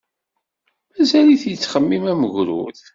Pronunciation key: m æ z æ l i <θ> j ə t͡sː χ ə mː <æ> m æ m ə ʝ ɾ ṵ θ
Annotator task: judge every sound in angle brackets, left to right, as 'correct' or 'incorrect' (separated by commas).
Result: correct, incorrect